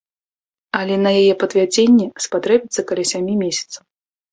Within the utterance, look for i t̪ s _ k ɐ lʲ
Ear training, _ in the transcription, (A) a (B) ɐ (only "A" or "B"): B